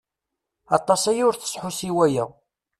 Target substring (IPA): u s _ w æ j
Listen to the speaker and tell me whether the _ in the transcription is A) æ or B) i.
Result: B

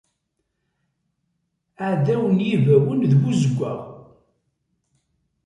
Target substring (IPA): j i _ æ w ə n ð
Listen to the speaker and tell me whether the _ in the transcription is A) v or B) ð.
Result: A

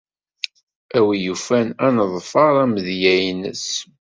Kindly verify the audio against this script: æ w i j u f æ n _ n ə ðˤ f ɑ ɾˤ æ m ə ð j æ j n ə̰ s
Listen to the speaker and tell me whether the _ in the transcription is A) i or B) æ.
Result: B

